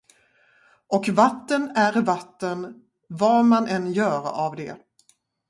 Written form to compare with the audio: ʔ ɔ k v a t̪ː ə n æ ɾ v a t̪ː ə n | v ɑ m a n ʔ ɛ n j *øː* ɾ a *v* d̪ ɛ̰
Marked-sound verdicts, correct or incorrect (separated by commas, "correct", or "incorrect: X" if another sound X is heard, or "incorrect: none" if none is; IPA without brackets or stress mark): incorrect: œː, correct